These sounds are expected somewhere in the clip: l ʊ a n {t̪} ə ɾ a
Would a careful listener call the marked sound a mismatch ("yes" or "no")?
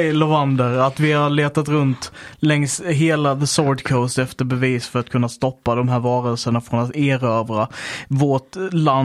yes